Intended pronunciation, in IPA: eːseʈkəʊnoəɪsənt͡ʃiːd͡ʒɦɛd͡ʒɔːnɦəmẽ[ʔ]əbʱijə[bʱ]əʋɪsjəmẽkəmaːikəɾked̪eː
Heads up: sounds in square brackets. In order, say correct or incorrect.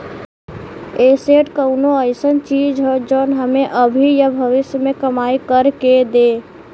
correct, correct

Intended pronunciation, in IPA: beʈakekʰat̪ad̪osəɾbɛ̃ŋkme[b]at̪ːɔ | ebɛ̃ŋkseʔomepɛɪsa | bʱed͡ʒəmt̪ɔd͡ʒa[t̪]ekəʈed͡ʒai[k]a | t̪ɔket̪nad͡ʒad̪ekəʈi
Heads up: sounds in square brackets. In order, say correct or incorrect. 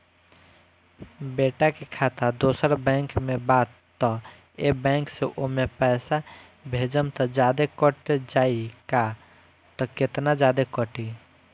correct, incorrect: d̪, correct

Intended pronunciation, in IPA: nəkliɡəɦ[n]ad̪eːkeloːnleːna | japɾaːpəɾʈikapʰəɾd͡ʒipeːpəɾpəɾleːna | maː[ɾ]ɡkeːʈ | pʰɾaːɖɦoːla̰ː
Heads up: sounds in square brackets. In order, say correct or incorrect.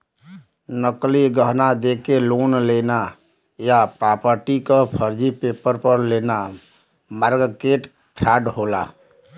correct, correct

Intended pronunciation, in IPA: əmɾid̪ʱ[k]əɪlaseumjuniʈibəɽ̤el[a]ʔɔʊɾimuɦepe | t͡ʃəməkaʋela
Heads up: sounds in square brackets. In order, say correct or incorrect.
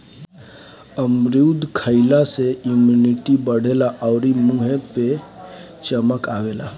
incorrect: kʰ, correct

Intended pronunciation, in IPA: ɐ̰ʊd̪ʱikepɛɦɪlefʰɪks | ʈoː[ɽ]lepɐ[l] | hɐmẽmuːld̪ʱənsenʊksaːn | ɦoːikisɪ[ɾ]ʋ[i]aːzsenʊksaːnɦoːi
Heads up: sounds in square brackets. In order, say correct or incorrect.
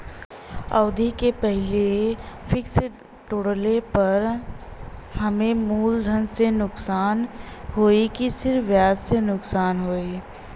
correct, incorrect: ɾ, correct, incorrect: j

